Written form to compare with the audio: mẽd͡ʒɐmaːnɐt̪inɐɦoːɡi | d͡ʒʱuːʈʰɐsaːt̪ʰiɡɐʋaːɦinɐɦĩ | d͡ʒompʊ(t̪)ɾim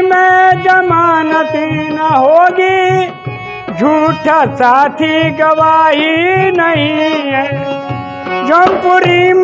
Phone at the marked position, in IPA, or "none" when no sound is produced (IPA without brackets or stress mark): none